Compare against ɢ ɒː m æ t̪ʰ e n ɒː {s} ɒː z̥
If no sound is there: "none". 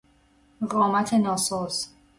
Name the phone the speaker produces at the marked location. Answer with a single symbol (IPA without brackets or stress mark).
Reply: s